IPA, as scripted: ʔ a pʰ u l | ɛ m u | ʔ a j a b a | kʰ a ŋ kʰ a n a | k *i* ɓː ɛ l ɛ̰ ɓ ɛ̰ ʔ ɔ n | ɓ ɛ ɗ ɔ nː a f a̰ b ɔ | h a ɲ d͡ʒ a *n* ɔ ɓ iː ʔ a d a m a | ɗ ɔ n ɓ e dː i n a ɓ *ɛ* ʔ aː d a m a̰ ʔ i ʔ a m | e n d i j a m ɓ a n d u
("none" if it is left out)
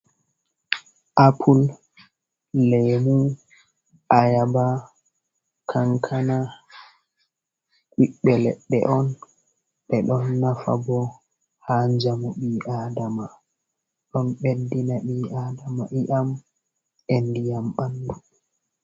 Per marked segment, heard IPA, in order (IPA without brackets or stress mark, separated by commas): i, m, i